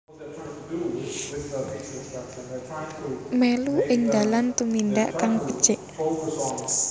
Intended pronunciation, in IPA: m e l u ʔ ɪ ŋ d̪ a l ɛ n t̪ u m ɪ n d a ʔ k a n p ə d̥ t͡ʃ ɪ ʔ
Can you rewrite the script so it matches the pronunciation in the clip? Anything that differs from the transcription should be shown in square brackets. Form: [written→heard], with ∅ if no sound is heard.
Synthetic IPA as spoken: m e l u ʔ ɪ ŋ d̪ a l [ɛ→a] n t̪ u m [ɪ→i] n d a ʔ k a [n→ŋ] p ə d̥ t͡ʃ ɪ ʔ